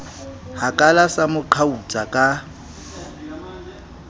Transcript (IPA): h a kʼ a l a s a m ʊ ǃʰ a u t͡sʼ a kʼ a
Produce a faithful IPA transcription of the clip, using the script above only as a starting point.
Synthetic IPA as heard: h a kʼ a l a s a m ʊ ǃʰ a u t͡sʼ a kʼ a